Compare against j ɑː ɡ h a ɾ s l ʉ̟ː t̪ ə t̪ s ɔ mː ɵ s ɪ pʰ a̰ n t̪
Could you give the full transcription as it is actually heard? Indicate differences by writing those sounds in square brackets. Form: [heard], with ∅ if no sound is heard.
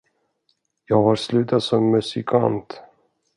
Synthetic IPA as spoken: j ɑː ɡ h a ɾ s l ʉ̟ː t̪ [a] t̪ s ɔ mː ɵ s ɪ [kʰ] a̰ n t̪

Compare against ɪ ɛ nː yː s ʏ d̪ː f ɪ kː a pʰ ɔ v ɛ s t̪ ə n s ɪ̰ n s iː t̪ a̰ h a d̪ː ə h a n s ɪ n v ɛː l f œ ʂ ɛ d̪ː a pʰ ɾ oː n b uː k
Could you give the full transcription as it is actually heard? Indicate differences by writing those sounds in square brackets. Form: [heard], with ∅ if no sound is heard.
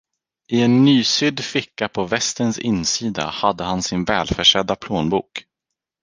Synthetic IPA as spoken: ɪ ɛ nː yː s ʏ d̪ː f ɪ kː a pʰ ɔ v ɛ s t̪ ə n s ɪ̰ n s iː [d̪] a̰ h a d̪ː ə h a n s ɪ n v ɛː l f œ ʂ ɛ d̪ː a pʰ [l] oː n b uː k

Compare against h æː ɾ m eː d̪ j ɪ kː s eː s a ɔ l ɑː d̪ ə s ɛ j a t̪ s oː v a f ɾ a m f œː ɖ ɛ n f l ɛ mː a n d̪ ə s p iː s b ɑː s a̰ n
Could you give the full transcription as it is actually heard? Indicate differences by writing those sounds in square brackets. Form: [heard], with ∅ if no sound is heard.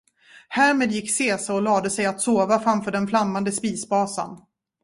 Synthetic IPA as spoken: h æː ɾ m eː d̪ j ɪ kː s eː s a ɔ l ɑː d̪ ə s ɛ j a t̪ s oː v a f ɾ a m f œː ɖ ɛ n f l [a] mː a n d̪ ə s p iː s b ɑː s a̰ n

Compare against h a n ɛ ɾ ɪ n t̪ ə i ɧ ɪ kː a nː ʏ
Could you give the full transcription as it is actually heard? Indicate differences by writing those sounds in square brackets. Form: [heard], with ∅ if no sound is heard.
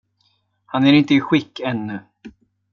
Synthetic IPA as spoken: h a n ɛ ɾ ɪ n t̪ ə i ɧ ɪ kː [ɛ] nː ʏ

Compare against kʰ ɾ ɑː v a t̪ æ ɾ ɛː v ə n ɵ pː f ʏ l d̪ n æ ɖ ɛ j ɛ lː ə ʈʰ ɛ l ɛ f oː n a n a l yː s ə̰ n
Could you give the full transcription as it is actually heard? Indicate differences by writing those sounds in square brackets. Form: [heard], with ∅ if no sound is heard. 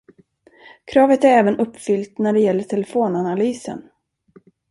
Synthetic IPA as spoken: kʰ ɾ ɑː v [ə] t̪ æ ɾ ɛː v ə n ɵ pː f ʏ l [t̪] n æ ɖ ɛ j ɛ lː ə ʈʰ ɛ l ɛ f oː n a n a l yː s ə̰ n

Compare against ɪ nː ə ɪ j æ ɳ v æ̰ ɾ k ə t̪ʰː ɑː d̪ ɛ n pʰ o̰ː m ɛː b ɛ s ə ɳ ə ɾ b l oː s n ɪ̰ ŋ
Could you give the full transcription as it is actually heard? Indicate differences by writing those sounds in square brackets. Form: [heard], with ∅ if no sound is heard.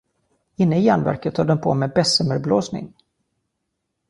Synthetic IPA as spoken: ɪ nː ə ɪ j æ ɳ v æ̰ ɾ k ə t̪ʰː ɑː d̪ ɛ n pʰ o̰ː m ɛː b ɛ s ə [m] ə ɾ b l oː s n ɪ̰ ŋ

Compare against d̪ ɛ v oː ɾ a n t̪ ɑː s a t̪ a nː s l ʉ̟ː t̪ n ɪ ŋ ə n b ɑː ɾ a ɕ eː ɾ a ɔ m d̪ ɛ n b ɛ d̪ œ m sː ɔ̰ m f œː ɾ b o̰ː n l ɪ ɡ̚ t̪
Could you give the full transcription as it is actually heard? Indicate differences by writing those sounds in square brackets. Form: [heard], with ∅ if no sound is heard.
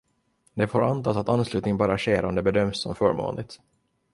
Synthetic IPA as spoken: d̪ ɛ [f] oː ɾ a n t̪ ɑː s a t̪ a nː s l ʉ̟ː t̪ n ɪ ŋ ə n b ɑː ɾ a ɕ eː ɾ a ɔ m d̪ ɛ [∅] b ɛ d̪ œ m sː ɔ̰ m f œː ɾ [m] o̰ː n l ɪ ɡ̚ t̪

